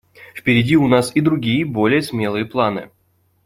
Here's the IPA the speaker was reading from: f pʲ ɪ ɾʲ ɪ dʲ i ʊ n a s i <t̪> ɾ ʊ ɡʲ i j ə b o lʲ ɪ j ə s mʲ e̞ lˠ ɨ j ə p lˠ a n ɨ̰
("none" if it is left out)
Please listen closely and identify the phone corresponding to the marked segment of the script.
d̪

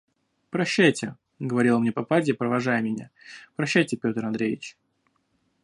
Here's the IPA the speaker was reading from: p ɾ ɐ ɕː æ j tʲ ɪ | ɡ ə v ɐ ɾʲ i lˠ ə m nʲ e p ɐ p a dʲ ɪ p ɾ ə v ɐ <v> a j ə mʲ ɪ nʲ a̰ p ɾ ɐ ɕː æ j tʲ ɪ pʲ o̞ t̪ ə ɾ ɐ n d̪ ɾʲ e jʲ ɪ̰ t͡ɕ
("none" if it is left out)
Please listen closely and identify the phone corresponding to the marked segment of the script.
ʐ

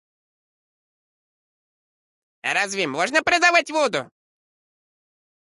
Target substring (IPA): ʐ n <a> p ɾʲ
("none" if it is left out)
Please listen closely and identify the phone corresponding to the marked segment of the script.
ə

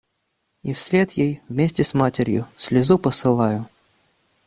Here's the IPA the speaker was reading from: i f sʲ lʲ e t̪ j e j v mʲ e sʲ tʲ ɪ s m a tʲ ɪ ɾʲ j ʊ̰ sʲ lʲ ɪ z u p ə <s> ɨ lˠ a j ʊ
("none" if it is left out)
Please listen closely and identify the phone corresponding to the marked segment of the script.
s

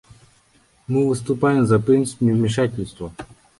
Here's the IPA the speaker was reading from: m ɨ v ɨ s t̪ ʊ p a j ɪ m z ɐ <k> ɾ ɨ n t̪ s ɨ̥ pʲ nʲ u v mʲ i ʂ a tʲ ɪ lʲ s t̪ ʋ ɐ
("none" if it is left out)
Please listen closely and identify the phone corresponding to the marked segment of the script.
p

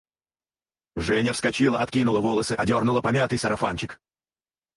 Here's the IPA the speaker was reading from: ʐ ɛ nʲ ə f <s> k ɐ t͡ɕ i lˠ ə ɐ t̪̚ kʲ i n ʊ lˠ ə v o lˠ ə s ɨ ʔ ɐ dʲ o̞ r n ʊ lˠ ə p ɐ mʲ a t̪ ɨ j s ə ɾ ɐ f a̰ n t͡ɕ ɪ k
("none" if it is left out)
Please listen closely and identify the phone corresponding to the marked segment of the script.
s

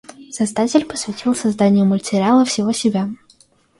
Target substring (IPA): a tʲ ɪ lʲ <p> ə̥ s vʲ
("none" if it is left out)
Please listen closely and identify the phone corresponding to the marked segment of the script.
p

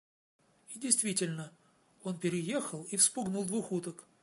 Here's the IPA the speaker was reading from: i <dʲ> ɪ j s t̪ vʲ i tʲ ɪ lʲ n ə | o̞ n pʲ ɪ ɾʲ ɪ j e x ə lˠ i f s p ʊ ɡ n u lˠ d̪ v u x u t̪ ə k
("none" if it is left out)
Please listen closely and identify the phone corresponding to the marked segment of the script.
dʲ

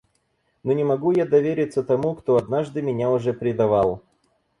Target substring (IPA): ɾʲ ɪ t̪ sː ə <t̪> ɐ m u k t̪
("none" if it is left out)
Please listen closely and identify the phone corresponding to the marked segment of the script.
t̪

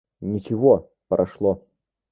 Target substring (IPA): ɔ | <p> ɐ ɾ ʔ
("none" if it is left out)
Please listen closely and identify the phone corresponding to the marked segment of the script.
p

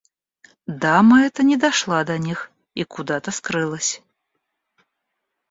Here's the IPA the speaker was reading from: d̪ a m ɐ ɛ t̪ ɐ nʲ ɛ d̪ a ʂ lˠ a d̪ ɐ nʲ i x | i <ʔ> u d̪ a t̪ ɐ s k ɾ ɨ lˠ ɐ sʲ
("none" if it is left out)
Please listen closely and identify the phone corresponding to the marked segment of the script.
k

